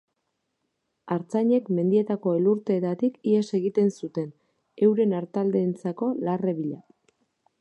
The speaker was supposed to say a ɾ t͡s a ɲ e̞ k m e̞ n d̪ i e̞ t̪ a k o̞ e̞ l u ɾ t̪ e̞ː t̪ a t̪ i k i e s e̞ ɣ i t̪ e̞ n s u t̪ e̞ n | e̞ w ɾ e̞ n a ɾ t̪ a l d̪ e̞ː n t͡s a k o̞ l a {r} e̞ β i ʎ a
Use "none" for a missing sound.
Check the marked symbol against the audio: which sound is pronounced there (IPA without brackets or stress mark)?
r